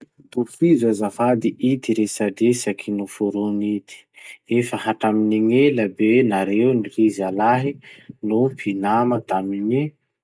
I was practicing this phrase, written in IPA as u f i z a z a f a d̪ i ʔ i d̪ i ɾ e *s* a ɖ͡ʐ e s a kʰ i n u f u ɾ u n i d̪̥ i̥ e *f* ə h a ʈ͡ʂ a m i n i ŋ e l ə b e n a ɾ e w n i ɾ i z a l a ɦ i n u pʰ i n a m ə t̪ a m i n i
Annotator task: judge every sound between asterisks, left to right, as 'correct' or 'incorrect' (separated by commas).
correct, correct